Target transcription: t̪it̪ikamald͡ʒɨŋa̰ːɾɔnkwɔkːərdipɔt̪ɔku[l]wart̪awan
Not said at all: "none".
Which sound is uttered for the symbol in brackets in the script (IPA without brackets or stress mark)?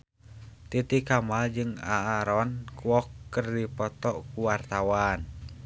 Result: none